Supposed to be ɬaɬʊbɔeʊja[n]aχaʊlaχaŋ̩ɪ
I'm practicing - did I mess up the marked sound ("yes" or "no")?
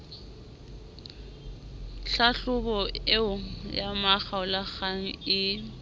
yes